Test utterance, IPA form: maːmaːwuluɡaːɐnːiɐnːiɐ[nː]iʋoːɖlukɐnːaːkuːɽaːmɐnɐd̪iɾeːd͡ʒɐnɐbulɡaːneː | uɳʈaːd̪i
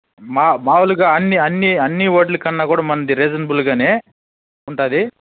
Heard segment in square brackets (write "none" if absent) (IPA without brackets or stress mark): nː